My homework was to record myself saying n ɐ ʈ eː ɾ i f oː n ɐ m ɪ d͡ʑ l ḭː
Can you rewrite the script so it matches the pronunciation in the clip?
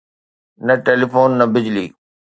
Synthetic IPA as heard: n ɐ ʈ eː l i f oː nː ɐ b ɪ d͡ʑ l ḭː

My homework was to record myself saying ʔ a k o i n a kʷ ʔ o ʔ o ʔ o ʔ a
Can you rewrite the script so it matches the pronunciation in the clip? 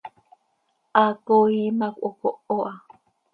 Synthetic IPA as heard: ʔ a k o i m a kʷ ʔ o k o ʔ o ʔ a

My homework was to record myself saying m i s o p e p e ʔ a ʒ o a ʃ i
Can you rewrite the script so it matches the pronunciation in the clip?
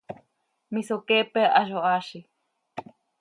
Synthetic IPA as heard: m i s o k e p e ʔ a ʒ o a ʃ i

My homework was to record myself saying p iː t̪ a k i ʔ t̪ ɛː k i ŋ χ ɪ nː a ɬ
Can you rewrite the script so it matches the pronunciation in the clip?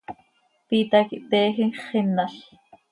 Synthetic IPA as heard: p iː t̪ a k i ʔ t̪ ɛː x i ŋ χ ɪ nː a ɬ

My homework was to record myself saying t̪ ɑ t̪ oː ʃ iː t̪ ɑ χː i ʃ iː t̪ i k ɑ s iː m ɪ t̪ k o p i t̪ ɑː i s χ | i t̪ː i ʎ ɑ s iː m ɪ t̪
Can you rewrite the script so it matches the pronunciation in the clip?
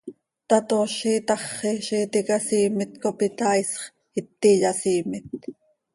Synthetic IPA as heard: t̪ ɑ t̪ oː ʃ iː t̪ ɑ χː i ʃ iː t̪ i k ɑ s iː m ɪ t̪ k o p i t̪ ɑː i s χ | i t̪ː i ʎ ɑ s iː m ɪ t̪

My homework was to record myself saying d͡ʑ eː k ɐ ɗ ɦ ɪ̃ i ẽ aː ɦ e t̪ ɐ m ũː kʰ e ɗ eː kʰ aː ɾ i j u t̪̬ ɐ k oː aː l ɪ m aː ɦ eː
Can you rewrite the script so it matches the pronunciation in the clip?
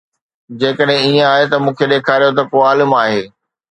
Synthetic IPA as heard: d͡ʑ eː k ə ɗ ɦ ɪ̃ i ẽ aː ɦ e t̪ ɐ m ũː kʰ e ɗ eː kʰ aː ɾ i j o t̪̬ ɐ k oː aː l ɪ m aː ɦ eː

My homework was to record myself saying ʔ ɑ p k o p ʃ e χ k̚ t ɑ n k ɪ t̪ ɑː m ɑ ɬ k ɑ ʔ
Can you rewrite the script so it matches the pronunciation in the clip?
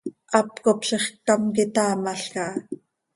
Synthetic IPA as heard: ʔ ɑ p k o p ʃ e χ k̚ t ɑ m k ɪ t̪ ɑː m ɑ ɬ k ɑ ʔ

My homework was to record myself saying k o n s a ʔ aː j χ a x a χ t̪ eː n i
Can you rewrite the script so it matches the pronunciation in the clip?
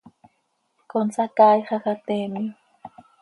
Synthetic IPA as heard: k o n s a k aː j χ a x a t̪ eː m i

